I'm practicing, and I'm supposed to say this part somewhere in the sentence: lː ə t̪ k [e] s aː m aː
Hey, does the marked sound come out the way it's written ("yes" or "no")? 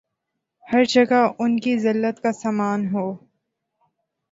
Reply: no